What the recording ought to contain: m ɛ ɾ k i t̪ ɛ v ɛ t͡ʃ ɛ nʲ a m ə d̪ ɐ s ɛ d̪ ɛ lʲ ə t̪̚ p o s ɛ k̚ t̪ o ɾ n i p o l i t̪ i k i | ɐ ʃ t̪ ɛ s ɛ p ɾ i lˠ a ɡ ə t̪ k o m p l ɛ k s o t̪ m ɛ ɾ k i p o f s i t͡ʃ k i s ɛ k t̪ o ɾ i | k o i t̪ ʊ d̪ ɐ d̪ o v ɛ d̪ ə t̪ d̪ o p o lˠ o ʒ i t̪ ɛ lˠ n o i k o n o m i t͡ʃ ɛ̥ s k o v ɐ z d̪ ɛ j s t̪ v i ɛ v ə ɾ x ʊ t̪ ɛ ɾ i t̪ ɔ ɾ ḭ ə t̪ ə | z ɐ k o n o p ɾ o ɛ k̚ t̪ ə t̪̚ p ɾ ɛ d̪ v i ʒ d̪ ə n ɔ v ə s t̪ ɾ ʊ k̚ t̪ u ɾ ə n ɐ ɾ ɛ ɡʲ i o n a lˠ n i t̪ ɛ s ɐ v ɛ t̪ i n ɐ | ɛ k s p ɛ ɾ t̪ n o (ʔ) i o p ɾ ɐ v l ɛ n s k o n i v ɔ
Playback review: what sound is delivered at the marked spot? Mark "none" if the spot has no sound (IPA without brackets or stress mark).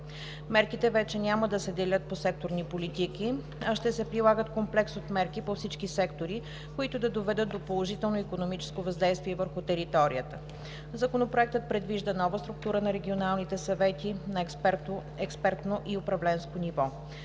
ʔ